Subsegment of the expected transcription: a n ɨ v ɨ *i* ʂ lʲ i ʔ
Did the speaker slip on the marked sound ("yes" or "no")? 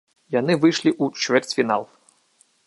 yes